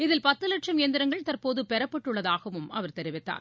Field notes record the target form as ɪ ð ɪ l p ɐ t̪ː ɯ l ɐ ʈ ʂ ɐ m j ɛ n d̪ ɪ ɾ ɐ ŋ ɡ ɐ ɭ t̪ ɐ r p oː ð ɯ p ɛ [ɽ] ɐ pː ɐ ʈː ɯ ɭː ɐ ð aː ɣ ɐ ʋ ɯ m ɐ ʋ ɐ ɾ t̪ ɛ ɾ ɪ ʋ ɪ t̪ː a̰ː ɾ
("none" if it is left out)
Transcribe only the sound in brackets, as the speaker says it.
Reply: ɾ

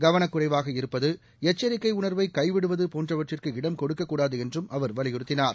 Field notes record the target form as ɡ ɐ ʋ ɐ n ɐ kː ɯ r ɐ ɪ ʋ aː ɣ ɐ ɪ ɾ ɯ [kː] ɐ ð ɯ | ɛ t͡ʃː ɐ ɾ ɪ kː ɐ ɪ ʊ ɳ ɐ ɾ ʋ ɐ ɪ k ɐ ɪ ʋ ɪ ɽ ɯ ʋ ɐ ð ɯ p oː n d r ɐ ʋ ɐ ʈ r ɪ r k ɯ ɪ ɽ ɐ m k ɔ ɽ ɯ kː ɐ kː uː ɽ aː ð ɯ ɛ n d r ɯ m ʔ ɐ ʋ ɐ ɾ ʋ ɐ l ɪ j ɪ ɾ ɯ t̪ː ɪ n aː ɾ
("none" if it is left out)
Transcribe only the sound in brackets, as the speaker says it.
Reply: pː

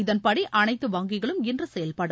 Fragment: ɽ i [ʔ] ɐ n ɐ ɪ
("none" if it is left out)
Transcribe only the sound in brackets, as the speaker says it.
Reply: ʔ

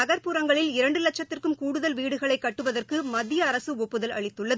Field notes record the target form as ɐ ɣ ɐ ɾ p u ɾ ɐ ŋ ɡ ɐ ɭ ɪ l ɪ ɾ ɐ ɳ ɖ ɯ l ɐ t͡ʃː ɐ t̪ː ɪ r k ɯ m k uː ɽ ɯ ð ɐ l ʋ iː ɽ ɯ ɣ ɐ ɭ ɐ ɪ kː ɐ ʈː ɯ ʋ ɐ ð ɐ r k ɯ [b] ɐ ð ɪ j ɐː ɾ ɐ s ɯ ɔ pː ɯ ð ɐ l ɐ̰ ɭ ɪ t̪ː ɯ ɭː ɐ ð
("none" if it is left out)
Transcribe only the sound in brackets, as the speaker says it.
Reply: m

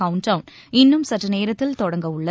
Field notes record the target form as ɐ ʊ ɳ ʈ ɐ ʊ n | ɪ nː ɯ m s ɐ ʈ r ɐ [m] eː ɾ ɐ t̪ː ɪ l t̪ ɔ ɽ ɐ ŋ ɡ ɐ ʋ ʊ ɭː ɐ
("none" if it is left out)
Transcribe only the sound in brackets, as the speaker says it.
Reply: n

